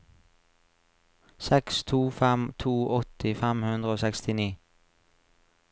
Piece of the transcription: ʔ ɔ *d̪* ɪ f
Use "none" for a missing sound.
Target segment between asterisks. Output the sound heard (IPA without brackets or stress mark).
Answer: t̪